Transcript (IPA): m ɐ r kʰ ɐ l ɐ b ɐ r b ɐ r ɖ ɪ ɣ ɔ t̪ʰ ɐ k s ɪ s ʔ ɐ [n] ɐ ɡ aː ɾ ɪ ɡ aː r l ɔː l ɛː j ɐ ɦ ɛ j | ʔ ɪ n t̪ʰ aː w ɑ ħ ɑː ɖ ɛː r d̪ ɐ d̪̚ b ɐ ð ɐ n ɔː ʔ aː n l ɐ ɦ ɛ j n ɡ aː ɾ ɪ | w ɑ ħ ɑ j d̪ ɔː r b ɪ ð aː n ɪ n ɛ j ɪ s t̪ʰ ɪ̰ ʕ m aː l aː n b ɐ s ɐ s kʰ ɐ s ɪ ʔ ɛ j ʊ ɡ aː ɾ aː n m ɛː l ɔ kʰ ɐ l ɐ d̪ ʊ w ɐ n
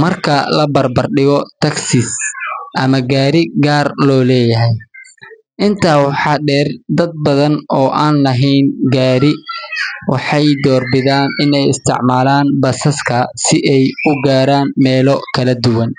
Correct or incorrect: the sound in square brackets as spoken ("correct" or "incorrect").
incorrect